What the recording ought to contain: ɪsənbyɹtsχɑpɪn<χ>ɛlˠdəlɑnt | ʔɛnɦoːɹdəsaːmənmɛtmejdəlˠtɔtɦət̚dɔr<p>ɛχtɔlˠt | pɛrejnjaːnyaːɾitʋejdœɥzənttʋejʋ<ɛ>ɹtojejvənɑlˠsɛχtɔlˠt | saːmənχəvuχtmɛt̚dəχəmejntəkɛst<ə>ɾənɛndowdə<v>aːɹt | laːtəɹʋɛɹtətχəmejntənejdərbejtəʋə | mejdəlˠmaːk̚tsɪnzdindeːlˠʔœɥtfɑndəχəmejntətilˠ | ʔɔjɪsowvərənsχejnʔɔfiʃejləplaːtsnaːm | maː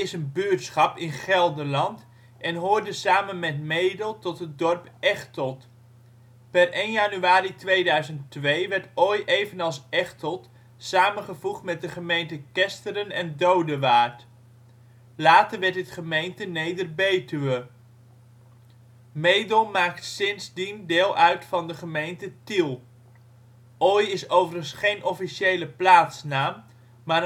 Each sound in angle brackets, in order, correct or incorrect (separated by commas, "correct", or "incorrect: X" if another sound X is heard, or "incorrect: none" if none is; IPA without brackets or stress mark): correct, correct, correct, correct, incorrect: ʋ